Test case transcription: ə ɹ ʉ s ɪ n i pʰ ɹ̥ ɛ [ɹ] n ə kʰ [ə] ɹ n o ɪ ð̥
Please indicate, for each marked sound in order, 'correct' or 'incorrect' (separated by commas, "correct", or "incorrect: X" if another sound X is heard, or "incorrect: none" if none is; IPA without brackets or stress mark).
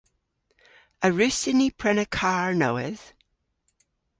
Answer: incorrect: none, incorrect: a